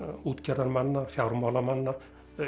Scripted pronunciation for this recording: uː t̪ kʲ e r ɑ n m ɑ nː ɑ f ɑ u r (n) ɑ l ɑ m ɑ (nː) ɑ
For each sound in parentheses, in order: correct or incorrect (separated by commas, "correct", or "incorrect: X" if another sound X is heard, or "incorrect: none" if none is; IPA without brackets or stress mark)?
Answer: incorrect: m, correct